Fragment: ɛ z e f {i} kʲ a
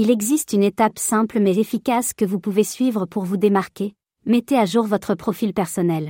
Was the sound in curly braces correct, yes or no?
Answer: yes